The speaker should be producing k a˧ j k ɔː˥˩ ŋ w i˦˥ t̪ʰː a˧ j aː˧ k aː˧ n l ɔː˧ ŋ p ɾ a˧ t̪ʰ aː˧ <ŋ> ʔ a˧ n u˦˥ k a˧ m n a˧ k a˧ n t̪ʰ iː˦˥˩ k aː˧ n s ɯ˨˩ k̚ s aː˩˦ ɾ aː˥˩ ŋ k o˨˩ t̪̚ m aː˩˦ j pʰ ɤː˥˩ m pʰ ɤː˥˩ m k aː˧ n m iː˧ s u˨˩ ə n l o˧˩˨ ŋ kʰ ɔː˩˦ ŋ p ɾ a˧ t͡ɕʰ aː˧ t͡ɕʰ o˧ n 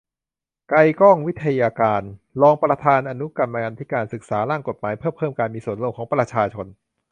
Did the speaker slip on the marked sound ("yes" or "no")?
yes